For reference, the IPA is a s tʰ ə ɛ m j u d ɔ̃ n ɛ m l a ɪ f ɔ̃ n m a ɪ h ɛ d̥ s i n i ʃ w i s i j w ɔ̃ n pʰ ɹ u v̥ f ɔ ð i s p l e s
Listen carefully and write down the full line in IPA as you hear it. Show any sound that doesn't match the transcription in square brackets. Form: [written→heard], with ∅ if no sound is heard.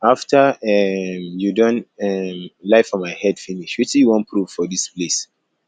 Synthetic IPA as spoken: a [s→f] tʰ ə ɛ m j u d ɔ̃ n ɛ m l a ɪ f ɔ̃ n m a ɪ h ɛ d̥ [s→f] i n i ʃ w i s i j w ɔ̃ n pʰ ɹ u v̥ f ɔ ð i s p l e s